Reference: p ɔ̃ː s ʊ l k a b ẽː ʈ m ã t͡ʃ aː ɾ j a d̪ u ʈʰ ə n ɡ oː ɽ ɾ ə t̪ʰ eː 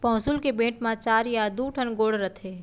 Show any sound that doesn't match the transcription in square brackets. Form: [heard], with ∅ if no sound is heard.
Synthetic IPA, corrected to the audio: p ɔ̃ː s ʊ l k [e] b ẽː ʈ m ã t͡ʃ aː ɾ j a d̪ u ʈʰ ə n ɡ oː ɽ ɾ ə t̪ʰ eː